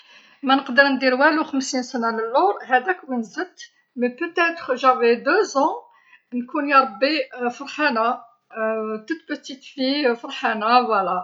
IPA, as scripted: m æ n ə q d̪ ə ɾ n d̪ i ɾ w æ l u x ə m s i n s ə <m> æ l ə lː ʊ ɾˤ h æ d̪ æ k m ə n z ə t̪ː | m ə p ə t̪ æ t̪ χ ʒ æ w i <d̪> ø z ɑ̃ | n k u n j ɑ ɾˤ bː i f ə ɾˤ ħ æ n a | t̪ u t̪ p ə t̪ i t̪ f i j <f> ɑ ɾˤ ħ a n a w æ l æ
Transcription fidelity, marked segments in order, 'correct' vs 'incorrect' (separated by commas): incorrect, correct, correct